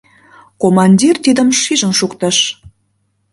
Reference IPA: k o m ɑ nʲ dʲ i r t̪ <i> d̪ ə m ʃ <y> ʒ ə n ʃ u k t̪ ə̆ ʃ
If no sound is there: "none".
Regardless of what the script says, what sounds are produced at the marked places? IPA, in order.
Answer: i, i

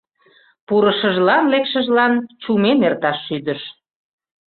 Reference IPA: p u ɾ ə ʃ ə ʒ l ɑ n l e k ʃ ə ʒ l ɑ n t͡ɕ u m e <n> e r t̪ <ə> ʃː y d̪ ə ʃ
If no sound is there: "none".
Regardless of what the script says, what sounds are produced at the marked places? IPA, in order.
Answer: n, ɑ

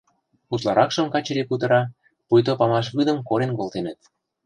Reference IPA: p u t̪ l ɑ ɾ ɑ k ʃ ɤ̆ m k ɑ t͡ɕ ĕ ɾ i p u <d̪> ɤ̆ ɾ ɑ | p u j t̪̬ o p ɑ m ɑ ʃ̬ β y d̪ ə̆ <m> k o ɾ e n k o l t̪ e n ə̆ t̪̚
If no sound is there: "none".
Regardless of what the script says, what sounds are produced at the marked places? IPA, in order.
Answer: t̪, m

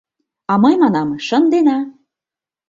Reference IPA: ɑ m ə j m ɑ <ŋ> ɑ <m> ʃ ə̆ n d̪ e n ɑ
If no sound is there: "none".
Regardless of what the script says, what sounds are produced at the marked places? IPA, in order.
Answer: n, m

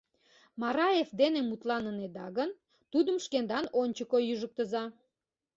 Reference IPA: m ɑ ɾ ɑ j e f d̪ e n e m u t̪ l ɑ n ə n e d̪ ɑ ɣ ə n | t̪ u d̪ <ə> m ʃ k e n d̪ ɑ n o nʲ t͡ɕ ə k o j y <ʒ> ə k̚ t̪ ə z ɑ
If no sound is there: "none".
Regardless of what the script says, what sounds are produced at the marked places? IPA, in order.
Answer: ə, ʒ

